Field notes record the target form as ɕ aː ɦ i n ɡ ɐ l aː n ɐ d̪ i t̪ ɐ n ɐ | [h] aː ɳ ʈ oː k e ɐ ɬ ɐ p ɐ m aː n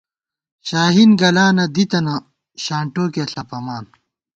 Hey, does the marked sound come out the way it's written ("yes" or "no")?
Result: no